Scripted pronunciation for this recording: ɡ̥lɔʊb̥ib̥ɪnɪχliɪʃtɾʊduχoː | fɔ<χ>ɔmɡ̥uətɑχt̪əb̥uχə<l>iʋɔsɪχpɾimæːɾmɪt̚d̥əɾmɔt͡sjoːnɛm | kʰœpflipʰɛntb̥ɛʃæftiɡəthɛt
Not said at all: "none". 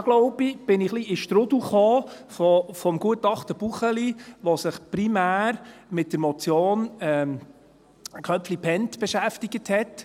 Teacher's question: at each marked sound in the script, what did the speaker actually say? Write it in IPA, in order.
f, l

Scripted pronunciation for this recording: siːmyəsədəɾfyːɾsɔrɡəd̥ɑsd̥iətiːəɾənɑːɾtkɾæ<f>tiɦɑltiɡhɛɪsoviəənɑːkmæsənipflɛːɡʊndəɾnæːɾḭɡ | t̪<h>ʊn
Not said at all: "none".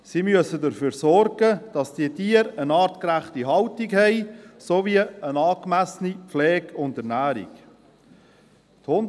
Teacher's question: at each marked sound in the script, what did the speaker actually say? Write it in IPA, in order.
χ, h

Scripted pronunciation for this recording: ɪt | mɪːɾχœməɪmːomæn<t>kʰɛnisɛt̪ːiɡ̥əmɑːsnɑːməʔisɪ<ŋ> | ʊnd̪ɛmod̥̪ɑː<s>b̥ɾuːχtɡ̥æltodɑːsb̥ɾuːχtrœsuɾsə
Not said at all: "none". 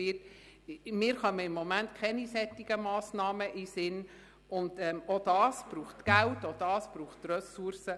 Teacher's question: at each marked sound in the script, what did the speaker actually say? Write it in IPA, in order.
t, n, s

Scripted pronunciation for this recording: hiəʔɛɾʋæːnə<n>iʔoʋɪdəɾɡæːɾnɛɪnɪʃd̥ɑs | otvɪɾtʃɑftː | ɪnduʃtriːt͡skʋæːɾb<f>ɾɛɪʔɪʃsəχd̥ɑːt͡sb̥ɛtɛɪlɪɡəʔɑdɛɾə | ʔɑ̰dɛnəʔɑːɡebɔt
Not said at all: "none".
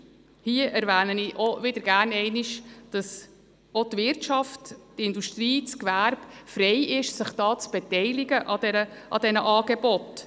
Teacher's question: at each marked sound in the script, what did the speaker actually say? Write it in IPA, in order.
n, f

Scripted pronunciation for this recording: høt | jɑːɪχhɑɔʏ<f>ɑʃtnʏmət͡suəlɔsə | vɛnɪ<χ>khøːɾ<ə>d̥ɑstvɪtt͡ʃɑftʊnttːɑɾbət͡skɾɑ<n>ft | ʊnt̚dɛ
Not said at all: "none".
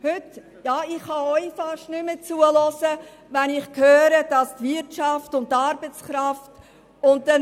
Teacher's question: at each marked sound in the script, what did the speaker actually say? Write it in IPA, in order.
f, χ, ə, none

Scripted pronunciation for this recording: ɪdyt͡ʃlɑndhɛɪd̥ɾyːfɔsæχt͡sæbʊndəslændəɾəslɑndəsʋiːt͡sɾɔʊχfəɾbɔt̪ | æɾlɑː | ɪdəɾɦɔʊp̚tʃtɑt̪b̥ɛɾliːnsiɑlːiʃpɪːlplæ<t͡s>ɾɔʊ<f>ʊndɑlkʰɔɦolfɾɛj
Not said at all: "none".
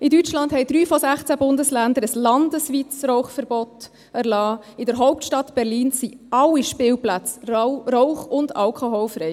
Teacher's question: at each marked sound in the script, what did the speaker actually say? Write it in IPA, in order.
t͡s, χ

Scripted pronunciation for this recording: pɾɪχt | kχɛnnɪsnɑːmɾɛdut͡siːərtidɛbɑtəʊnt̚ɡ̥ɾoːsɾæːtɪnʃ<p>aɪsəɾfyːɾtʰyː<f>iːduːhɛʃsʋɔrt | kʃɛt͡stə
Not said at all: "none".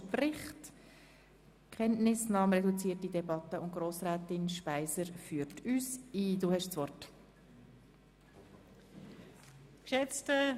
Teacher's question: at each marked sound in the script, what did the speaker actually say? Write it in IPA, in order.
p, s

